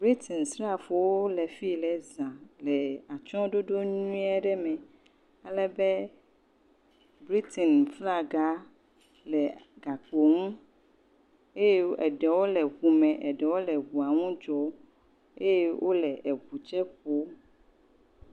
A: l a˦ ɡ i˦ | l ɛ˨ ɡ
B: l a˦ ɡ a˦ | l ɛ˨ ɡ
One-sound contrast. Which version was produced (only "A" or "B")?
B